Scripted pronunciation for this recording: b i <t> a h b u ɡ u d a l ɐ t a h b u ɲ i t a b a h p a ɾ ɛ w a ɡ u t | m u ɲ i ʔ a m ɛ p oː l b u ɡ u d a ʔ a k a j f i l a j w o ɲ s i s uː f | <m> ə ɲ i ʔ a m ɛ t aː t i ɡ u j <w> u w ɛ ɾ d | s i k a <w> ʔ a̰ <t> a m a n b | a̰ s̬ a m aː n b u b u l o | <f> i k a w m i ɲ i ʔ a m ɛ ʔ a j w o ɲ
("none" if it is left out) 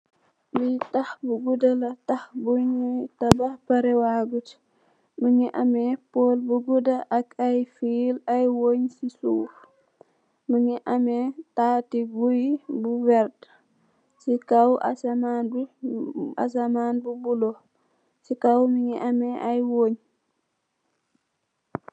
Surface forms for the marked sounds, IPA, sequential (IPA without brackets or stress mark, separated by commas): t, m, b, w, s, s